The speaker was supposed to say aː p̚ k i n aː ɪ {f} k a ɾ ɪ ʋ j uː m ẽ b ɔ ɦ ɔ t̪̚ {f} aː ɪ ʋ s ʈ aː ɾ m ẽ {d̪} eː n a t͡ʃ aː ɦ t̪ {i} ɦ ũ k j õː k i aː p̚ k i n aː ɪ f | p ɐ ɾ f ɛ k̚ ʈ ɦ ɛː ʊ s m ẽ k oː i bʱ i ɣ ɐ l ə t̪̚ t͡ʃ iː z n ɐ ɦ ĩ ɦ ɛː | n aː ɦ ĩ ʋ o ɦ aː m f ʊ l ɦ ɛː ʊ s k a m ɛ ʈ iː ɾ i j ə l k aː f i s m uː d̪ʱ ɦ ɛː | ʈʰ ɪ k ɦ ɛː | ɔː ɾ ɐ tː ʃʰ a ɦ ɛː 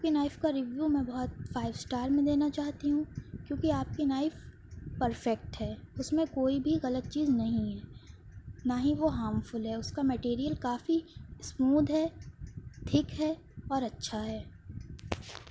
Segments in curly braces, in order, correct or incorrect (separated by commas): correct, correct, correct, correct